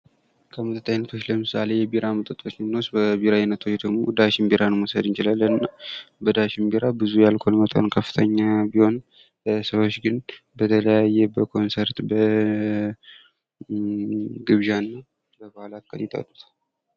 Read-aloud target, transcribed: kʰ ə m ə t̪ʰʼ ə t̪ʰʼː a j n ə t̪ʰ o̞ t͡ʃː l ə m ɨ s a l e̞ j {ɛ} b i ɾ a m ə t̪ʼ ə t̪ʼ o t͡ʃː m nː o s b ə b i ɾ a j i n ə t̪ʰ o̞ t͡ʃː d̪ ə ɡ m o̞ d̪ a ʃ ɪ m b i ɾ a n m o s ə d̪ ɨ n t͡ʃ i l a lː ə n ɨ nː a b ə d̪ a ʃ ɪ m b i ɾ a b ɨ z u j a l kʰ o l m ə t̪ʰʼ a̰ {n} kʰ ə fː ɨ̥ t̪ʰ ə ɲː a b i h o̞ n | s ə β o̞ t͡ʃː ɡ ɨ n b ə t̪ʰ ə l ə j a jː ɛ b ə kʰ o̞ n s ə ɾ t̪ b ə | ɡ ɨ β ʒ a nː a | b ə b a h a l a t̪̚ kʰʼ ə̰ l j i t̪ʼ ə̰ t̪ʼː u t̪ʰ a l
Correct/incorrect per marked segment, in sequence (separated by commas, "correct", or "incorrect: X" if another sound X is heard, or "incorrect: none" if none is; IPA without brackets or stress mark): correct, correct